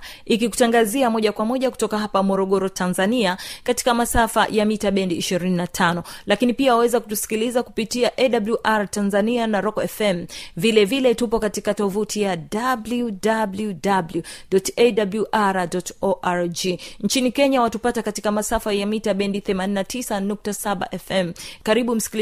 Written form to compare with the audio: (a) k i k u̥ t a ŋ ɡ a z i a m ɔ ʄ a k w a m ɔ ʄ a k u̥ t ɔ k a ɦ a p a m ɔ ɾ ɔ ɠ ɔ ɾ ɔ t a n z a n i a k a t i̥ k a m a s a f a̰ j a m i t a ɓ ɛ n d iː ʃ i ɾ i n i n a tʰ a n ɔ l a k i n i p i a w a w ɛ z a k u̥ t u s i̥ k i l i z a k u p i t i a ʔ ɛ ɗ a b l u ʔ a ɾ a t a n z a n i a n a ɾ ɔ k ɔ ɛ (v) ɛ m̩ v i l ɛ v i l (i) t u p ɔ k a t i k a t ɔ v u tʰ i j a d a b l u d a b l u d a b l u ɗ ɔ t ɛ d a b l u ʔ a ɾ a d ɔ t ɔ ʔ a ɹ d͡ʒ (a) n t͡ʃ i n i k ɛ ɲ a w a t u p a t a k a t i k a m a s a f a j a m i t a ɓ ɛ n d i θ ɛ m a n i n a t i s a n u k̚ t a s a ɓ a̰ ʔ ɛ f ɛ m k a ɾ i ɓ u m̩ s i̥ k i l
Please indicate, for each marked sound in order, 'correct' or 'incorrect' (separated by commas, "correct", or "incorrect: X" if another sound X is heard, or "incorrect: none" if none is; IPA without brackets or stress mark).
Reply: incorrect: i, incorrect: f, incorrect: ɛ, incorrect: i